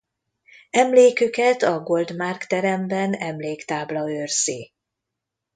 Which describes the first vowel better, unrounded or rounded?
unrounded